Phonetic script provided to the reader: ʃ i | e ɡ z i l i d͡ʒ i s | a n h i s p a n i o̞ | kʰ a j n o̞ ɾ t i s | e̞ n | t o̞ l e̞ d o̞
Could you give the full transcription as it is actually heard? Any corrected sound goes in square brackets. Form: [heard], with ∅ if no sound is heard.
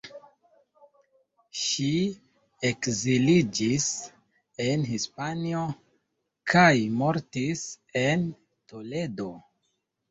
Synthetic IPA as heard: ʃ i | e [k] z i l i d͡ʒ i s | [e] n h i s p a n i o̞ | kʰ a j [m] o̞ ɾ t i s | e̞ n | t o̞ l e̞ d o̞